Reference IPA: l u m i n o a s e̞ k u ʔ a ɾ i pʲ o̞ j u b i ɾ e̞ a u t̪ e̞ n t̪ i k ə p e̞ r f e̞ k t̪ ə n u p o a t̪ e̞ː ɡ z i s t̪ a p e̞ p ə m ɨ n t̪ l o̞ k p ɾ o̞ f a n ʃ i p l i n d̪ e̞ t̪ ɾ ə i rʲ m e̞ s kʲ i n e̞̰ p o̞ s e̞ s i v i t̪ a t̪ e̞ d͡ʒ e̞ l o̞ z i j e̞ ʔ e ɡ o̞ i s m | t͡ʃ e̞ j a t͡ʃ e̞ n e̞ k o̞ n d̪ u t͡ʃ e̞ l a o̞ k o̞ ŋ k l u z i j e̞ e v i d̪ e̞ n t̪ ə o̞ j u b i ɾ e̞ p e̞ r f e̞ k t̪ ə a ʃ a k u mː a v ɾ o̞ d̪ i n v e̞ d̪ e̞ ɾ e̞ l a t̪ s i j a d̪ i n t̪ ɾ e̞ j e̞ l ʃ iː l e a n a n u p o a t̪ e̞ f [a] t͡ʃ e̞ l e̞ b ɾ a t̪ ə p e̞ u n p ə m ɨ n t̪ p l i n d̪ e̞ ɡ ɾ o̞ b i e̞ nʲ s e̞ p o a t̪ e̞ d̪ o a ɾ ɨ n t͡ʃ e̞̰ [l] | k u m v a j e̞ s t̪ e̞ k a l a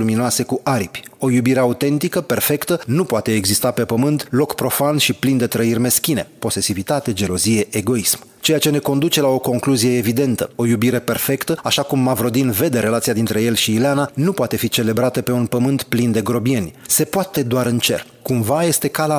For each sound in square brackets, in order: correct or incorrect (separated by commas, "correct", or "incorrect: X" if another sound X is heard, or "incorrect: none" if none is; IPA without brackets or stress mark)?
incorrect: i, incorrect: r